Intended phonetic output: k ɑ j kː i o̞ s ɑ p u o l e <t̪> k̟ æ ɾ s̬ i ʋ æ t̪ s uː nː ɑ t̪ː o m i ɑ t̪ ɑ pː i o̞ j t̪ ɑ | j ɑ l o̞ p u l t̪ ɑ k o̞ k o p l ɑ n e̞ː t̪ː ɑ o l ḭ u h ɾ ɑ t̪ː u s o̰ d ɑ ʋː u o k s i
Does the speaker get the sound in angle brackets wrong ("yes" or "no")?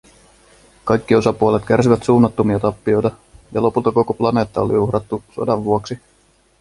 no